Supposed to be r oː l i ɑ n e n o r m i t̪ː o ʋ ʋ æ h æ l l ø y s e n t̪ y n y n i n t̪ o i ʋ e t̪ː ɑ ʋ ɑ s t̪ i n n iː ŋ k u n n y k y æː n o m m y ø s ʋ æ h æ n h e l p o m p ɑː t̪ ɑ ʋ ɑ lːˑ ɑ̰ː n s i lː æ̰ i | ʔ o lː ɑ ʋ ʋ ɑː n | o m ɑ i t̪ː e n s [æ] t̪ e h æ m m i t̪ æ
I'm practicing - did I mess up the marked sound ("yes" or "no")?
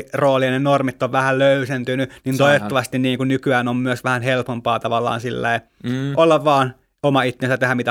no